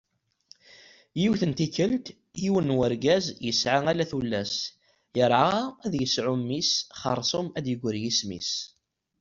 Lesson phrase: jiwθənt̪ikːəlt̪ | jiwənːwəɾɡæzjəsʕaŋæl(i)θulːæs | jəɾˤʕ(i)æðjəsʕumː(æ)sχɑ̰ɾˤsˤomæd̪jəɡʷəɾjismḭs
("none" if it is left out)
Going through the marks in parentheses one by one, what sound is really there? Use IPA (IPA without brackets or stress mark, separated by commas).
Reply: æ, a, i